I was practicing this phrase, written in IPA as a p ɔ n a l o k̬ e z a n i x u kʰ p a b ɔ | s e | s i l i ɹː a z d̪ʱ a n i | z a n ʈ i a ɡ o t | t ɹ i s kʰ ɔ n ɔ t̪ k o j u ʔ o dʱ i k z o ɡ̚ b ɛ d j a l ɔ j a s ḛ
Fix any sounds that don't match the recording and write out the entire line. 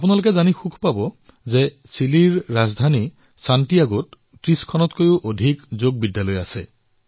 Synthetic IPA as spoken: a p u n a l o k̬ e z a n i x u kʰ p a b ɔ | z e | s i l i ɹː a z d̪ʱ a n i | s a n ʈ i a ɡ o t | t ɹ i s kʰ ɔ n ɔ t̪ k o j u ʔ o dʱ i k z o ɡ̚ b i d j a l ɔ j a s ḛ